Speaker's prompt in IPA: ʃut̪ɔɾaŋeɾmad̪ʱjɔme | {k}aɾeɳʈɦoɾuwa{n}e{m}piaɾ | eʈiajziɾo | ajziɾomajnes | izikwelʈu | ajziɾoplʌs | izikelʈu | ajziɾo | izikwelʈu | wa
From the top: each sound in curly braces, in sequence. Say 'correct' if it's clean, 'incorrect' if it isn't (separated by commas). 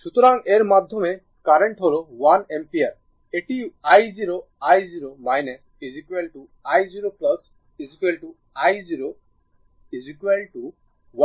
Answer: correct, correct, correct